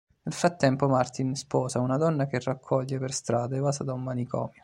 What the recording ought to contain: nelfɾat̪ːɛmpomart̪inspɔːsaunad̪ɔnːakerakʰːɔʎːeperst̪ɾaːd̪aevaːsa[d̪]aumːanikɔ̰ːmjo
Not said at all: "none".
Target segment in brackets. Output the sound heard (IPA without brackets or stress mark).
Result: d̪